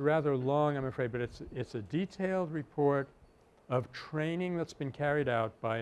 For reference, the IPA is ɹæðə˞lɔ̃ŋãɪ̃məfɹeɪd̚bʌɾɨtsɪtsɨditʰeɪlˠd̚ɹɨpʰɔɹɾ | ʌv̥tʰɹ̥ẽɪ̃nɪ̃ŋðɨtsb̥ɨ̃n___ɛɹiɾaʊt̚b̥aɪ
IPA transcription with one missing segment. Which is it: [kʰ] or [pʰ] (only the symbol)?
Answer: kʰ